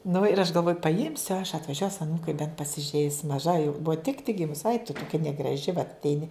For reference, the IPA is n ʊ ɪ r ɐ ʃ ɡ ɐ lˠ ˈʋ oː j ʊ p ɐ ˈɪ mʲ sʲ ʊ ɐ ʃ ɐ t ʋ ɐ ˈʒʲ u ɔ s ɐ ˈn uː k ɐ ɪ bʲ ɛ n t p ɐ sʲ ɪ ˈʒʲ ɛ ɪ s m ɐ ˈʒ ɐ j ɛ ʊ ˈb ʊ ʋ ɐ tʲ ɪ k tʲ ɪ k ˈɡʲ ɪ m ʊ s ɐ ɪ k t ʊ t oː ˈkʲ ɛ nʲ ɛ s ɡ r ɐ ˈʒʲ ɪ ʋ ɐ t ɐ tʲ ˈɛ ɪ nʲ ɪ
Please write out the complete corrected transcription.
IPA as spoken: n ʊ ɪ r ɐ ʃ ɡ ɐ lˠ ˈʋ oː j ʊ p ɐ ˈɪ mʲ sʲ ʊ ɐ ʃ ɐ t ʋ ɐ ˈʒʲ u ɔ s ɐ ˈn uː k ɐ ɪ bʲ ɛ n t p ɐ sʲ ɪ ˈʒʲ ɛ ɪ s m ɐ ˈʒ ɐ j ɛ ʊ ˈb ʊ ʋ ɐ tʲ ɪ k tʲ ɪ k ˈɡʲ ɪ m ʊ s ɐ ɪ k t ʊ t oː ˈkʲ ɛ nʲ ɛ ɡ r ɐ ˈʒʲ ɪ ʋ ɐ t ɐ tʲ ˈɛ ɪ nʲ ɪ